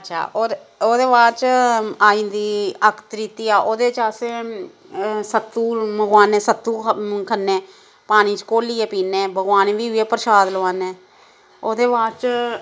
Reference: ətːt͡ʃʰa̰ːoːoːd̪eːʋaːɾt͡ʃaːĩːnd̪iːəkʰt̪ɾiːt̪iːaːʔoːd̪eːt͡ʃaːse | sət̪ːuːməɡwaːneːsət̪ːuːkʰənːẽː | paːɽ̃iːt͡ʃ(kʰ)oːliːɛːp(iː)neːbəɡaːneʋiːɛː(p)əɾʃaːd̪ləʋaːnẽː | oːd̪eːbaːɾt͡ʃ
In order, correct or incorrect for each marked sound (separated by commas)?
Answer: incorrect, correct, correct